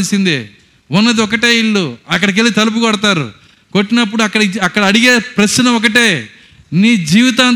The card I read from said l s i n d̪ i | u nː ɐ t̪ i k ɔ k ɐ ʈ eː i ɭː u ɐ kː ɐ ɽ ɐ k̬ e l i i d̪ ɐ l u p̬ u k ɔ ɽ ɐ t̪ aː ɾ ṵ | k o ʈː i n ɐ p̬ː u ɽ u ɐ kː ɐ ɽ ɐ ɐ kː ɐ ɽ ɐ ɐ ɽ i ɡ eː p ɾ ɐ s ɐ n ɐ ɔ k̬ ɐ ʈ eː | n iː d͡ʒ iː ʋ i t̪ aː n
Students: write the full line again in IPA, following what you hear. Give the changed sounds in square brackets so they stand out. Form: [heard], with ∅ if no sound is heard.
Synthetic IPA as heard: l s i n d̪ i | u nː ɐ [d̪] i [∅] ɔ k ɐ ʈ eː i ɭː u ɐ kː ɐ ɽ ɐ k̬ e l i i [t̪] ɐ l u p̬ u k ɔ ɽ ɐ t̪ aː ɾ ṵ | k o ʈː i n ɐ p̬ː u ɽ u ɐ kː ɐ ɽ ɐ ɐ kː ɐ ɽ ɐ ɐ ɽ i ɡ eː p ɾ ɐ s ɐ n ɐ ɔ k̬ ɐ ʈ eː | n iː d͡ʒ iː ʋ i t̪ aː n